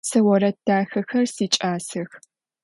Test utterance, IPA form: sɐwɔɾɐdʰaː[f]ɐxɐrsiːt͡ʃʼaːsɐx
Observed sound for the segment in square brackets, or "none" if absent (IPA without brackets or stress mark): x